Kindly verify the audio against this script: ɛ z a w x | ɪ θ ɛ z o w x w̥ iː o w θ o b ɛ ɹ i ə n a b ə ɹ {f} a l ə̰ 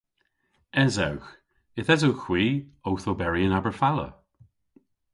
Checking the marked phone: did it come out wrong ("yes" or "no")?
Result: no